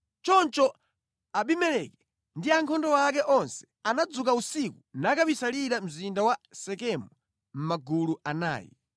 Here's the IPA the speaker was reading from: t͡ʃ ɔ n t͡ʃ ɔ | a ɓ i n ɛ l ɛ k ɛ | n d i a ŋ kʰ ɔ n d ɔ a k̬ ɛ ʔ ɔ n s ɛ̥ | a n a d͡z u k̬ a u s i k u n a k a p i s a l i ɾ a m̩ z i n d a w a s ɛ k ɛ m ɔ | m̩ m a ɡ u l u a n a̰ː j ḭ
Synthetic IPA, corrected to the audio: t͡ʃ ɔ n t͡ʃ ɔ | a ɓ i m ɛ l ɛ k ɛ | n d i a ŋ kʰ ɔ n d ɔ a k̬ ɛ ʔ ɔ n s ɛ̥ | a n a d͡z u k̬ a u s i k u n a k a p i s a l i ɾ a m̩ z i n d a w a s ɛ k ɛ m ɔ | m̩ m a ɡ u l u a n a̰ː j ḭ